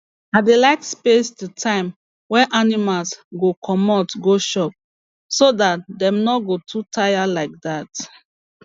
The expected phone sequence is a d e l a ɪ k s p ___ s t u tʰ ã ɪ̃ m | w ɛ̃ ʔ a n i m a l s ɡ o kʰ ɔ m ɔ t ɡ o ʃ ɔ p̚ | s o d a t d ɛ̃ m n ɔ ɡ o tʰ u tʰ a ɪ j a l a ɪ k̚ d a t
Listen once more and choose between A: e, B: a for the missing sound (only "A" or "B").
A